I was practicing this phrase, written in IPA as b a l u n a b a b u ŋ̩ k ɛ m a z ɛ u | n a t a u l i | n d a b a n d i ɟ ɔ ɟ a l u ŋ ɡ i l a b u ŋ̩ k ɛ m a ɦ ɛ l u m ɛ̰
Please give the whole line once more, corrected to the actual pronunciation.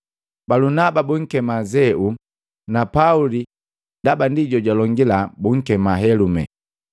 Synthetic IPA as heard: b a l u n a b a b u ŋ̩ k ɛ m a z ɛ u | n a p a u l i | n d a b a n d i ɟ ɔ ɟ a l ɔ ŋ ɡ i l a b u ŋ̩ k ɛ m a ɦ ɛ l u m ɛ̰